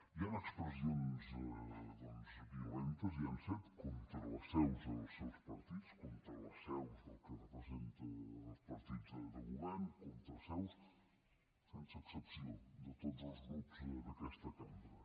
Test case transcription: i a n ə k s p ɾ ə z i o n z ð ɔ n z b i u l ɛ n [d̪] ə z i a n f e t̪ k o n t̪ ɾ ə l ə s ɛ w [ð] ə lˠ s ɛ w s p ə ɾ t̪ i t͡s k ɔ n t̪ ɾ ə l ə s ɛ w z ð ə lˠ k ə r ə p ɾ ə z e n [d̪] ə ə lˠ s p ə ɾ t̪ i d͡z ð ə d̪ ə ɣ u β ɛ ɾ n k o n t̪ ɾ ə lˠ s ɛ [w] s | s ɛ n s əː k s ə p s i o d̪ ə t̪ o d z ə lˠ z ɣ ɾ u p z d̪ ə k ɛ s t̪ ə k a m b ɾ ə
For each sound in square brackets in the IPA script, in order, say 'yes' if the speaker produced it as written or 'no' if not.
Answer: no, no, no, yes

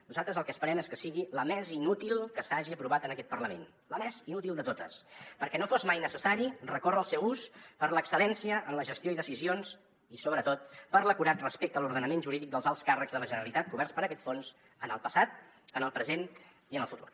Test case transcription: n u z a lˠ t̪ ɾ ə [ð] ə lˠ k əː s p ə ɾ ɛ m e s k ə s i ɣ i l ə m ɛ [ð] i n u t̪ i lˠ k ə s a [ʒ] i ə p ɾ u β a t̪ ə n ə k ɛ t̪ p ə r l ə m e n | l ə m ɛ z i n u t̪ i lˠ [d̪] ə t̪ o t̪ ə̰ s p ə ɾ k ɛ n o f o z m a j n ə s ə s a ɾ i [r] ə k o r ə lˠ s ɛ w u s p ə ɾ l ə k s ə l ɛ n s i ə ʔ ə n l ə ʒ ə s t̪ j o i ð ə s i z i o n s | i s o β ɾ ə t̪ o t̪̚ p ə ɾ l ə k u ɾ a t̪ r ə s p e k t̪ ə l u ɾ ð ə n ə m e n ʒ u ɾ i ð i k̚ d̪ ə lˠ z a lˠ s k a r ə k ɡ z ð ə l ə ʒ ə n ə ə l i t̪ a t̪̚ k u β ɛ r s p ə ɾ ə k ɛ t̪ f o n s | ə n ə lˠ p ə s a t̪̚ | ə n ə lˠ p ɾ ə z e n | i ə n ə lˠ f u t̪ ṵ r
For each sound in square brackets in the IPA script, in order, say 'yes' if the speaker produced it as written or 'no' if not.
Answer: no, no, yes, yes, yes

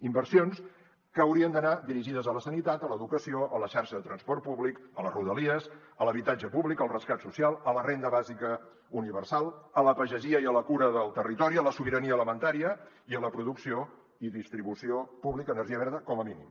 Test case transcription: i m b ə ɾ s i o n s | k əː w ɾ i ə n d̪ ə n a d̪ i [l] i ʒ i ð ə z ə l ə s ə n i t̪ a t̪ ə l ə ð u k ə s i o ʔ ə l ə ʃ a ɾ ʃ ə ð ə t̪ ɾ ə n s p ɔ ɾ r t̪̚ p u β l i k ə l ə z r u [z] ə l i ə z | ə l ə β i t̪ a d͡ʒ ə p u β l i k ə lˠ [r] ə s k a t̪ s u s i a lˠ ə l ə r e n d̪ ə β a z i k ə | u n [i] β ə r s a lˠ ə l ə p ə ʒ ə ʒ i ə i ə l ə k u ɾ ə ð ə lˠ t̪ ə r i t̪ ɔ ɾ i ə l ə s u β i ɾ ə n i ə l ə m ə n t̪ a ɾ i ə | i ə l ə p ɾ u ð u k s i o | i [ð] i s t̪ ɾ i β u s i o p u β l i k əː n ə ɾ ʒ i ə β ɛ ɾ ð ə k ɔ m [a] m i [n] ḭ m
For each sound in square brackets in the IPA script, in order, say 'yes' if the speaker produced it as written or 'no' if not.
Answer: no, no, yes, yes, yes, no, yes

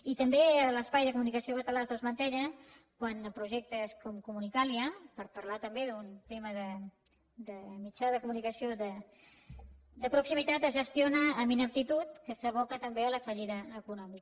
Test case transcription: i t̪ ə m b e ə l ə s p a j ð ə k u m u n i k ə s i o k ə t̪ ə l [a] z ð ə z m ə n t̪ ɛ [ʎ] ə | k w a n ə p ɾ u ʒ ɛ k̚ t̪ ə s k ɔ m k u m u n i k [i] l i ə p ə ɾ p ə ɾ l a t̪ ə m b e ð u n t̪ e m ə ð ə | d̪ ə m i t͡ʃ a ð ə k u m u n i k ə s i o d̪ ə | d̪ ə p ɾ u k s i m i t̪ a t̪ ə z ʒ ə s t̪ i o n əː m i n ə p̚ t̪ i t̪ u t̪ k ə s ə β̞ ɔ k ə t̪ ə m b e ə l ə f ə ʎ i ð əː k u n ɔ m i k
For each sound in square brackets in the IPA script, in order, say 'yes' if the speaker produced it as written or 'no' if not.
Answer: yes, yes, no

